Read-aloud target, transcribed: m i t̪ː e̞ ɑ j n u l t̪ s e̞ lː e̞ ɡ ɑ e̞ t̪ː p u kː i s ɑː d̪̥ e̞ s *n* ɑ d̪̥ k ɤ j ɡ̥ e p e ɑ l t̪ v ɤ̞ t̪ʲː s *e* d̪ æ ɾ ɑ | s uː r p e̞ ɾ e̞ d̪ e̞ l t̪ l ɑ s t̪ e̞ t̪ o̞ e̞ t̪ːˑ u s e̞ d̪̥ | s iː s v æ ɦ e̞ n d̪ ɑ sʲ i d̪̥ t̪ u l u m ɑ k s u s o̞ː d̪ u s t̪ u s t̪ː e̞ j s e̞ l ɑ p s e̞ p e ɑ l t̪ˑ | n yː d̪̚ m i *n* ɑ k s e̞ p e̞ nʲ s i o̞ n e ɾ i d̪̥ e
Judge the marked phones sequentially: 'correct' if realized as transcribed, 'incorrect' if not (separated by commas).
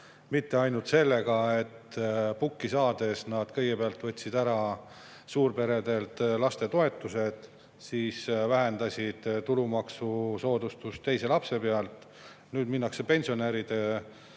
correct, incorrect, incorrect